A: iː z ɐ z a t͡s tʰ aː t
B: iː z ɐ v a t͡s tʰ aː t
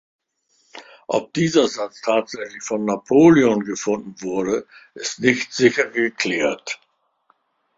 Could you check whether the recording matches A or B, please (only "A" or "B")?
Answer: A